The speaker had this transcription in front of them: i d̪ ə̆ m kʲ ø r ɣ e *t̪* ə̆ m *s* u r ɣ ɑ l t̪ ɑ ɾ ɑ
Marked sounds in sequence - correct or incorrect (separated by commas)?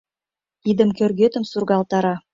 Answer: correct, correct